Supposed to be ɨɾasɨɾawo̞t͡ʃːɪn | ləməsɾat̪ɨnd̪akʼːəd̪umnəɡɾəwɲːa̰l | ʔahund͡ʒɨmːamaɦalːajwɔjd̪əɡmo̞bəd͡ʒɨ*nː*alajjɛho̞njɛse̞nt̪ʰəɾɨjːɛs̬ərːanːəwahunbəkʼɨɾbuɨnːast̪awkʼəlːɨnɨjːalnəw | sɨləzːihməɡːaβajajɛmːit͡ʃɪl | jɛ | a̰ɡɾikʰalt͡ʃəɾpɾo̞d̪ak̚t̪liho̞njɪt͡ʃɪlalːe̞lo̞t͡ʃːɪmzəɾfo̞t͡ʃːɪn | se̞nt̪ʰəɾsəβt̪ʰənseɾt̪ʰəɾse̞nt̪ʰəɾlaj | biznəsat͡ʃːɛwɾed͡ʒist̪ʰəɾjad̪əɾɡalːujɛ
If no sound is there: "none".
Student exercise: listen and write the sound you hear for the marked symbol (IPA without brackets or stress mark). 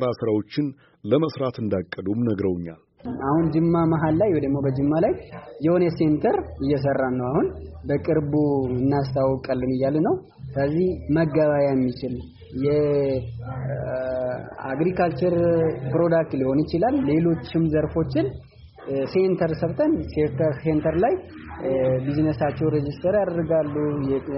mː